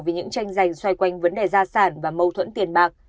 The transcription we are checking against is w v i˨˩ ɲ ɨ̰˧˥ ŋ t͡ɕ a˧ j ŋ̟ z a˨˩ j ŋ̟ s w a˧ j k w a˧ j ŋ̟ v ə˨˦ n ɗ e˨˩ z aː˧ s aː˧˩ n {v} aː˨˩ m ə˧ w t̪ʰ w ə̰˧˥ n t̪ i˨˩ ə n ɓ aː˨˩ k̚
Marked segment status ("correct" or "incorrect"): correct